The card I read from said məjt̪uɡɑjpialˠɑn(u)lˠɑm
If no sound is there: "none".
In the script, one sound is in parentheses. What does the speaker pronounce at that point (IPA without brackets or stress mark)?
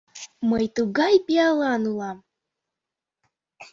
u